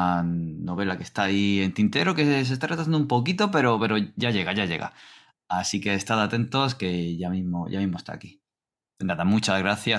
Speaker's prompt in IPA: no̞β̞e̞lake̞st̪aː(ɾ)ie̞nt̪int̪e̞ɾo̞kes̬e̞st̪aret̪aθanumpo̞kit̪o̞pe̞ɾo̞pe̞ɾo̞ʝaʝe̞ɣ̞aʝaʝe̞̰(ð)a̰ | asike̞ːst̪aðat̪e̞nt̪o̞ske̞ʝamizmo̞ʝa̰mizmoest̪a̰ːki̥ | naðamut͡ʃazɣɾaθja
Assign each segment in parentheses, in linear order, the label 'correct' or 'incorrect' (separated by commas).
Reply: incorrect, incorrect